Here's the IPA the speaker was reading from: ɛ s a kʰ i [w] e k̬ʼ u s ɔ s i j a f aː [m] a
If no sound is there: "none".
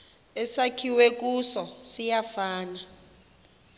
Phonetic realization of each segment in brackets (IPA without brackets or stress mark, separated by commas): w, n